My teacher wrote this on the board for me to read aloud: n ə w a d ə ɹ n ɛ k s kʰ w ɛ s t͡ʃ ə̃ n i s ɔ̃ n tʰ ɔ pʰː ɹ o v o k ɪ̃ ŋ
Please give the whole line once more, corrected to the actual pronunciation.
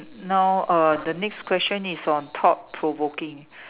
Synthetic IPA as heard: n a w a d ə n ɛ k s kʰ w ɛ s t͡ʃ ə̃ n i s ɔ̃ n tʰ ɔ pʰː ɹ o v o k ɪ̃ ŋ